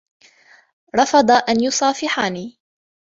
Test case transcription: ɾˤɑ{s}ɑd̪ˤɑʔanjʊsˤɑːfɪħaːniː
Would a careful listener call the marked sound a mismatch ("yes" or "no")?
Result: yes